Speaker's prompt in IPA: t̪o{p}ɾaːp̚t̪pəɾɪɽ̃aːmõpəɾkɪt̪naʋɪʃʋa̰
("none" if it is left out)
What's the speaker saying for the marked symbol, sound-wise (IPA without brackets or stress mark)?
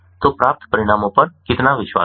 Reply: p